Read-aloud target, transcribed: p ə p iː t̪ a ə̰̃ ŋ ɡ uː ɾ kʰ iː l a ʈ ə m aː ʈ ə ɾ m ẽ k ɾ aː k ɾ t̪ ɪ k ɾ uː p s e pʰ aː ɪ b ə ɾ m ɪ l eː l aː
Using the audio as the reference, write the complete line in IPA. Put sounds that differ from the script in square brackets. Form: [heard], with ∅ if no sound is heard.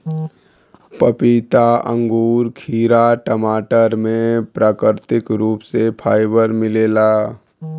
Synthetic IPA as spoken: p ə p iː t̪ a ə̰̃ ŋ ɡ uː ɾ kʰ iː [ɾ] a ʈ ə m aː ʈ ə ɾ m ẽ [p] ɾ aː k ɾ t̪ ɪ k ɾ uː p s e pʰ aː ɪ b ə ɾ m ɪ l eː l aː